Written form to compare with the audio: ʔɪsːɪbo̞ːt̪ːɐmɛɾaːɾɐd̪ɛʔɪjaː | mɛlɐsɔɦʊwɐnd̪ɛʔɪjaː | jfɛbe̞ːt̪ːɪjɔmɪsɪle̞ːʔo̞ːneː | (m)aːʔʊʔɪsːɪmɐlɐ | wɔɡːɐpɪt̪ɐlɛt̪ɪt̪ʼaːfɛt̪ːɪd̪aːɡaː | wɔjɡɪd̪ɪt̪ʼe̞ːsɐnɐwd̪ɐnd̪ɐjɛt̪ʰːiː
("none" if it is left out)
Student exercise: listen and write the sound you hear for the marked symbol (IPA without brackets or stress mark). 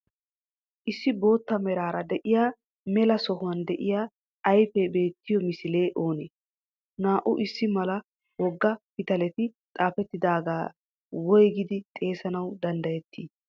n